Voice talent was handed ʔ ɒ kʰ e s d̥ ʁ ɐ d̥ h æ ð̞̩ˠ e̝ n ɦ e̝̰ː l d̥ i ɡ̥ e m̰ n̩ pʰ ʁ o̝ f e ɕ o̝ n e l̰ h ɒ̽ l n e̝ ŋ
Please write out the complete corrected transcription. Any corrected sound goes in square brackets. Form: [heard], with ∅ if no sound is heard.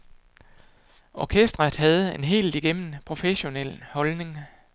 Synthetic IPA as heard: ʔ ɒ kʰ e s d̥ ʁ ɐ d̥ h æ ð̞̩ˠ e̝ n ɦ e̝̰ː l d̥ i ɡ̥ e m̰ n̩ pʰ ʁ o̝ f e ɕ o̝ n e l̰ h ɒ̽ l n e̝ ŋ